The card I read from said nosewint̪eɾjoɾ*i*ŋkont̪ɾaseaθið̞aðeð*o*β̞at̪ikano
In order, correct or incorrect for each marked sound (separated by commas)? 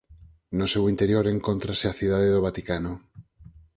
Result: incorrect, correct